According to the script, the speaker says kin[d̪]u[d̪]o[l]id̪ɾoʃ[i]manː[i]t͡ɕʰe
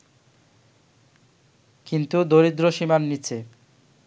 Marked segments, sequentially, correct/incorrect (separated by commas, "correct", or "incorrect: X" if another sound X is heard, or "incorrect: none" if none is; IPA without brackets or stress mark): incorrect: t̪, correct, incorrect: ɾ, correct, correct